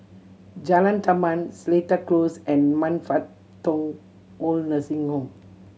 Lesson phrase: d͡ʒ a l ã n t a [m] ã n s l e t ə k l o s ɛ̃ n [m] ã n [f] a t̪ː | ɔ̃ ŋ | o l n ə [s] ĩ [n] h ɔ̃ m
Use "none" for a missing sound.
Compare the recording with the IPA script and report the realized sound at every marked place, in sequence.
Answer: m, m, f, s, ŋ

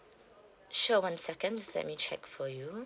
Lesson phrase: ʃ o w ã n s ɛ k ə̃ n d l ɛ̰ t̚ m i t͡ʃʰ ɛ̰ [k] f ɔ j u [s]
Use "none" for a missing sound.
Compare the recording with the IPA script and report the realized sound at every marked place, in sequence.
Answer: k, none

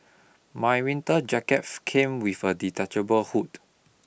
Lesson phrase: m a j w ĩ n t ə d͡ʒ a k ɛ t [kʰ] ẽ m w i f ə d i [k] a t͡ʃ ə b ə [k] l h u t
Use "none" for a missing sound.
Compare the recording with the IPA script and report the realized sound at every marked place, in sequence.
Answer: kʰ, t, none

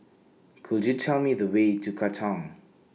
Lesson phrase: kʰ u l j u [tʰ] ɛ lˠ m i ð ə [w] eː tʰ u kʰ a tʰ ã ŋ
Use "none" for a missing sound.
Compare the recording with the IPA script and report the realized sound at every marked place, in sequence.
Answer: tʰ, w

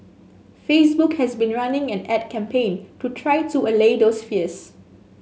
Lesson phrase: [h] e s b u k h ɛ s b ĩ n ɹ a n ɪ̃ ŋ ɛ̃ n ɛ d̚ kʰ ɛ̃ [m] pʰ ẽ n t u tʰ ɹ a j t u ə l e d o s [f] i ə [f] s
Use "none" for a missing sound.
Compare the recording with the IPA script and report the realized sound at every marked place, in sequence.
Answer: f, m, f, none

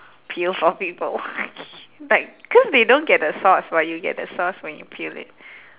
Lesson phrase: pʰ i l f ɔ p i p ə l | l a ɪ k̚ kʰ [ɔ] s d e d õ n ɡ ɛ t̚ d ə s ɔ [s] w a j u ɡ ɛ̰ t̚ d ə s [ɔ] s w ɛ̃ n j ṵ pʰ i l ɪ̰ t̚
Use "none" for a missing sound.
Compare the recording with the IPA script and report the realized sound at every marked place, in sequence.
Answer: ɔ, s, ɔ

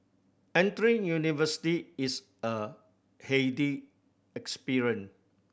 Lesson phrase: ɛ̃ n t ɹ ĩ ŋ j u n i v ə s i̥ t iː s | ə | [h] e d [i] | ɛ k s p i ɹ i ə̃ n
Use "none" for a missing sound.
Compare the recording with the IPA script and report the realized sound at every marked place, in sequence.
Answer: h, i

